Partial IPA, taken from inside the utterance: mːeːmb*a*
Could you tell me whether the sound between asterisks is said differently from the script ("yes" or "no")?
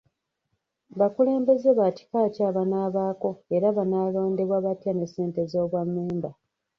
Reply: no